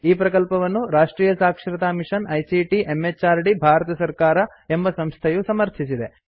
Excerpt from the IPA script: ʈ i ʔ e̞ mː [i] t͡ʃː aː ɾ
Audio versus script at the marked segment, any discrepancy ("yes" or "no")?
yes